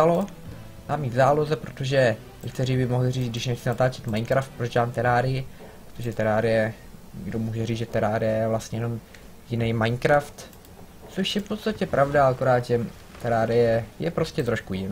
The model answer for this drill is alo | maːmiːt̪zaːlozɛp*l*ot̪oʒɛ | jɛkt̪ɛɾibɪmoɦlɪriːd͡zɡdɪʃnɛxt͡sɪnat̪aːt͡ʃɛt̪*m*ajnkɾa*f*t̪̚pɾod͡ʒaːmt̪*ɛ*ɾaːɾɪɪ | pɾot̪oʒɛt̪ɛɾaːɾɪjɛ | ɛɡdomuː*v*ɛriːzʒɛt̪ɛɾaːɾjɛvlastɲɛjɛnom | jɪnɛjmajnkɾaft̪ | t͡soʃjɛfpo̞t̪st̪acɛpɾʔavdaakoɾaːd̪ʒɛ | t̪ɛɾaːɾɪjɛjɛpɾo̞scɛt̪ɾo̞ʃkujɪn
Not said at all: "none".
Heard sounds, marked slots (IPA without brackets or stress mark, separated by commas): ɾ, m, f, ɛ, ʒ